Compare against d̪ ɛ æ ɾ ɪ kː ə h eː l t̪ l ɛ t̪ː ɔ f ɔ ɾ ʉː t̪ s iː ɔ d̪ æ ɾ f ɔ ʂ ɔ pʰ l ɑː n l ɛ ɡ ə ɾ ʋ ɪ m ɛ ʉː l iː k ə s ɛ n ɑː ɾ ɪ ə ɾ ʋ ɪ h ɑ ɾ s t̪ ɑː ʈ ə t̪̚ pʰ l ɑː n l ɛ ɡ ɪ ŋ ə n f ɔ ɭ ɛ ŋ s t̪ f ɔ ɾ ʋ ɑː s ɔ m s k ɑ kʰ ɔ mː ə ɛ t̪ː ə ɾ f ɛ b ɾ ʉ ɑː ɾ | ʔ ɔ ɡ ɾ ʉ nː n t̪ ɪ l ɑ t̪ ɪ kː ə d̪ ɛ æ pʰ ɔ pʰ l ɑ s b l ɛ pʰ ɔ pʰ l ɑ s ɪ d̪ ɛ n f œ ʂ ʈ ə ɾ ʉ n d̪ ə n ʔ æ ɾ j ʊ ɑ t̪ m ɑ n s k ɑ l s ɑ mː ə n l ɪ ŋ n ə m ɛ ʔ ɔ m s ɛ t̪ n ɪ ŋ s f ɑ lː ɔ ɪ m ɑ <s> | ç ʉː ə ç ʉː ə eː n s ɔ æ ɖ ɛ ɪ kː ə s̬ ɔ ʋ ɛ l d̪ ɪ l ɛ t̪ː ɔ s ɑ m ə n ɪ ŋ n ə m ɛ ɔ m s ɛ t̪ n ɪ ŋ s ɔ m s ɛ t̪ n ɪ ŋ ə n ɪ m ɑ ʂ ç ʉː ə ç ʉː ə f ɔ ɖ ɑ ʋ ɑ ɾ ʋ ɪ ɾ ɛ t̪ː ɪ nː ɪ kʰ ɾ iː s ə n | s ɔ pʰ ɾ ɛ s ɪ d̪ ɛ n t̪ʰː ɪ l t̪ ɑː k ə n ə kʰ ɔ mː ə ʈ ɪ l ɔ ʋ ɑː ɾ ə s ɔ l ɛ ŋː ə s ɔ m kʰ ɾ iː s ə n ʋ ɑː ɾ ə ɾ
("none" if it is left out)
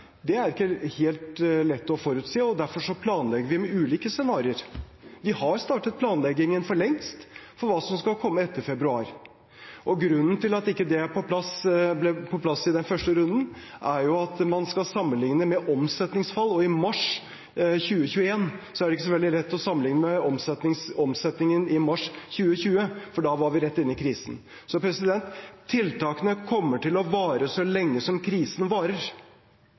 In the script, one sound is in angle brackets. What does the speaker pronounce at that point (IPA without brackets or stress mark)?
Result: ʂ